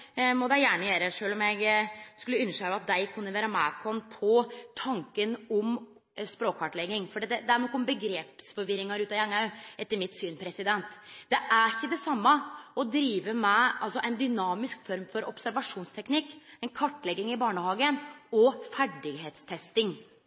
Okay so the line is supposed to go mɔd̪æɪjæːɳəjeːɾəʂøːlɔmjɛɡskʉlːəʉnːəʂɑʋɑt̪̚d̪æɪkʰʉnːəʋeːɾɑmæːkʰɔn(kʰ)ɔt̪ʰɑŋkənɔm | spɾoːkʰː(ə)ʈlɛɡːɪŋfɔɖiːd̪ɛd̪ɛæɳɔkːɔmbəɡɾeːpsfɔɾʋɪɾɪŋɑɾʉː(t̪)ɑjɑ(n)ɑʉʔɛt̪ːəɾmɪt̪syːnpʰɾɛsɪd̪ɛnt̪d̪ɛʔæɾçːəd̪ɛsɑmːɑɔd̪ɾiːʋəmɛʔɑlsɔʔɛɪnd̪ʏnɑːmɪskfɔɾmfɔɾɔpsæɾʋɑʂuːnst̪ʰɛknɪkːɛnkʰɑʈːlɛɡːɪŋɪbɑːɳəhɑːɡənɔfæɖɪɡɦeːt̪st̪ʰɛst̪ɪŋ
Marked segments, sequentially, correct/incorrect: incorrect, incorrect, correct, incorrect

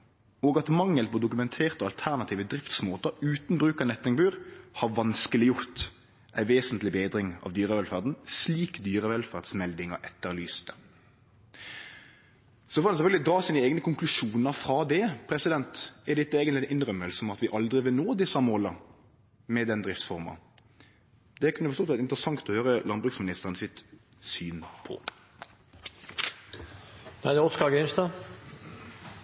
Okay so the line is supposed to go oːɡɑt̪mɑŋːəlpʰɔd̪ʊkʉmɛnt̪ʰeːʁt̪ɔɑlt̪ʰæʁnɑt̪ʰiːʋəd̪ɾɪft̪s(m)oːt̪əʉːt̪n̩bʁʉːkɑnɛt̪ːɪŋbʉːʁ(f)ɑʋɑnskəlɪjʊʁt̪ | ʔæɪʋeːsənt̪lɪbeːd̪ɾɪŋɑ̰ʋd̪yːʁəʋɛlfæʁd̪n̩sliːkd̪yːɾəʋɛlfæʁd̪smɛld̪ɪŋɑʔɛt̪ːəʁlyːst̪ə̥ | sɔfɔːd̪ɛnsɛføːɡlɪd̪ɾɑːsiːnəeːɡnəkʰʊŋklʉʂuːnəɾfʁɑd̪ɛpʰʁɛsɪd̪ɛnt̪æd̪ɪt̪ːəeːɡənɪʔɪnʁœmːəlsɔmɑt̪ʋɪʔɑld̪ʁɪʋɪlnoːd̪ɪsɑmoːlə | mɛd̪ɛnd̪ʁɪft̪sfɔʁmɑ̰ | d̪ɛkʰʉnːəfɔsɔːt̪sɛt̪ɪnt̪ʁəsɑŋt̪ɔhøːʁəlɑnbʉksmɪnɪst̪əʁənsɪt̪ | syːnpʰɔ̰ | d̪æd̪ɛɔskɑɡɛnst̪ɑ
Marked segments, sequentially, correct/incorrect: correct, incorrect

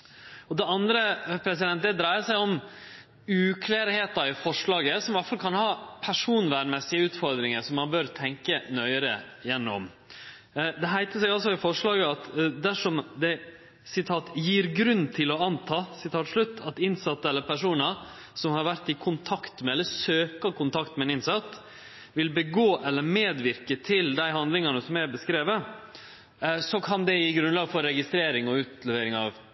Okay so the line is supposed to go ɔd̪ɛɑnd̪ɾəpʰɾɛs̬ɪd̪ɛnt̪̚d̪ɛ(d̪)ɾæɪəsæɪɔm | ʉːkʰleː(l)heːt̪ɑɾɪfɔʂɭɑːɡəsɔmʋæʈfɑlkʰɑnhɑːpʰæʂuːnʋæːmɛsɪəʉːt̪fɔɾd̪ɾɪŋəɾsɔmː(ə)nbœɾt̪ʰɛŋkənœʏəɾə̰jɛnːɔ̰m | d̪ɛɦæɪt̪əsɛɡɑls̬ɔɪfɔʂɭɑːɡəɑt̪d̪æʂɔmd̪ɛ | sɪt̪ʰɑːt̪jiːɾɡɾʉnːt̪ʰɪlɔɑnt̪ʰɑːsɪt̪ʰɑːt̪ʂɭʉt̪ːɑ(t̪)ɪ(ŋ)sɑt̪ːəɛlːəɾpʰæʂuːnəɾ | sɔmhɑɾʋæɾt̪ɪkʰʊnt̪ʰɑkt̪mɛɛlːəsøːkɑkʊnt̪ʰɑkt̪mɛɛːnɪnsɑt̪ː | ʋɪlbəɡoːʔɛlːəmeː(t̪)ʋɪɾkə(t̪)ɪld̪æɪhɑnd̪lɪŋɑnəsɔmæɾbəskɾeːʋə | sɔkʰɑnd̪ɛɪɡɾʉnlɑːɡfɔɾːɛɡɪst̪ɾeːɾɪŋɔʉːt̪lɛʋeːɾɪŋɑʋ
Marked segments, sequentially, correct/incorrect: correct, incorrect, incorrect, correct, incorrect, incorrect, incorrect

